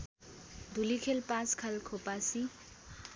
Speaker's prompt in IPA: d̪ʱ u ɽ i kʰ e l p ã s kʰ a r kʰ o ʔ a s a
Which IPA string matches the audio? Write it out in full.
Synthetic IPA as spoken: d̪ʱ u l i kʰ e l p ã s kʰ a l kʰ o p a s i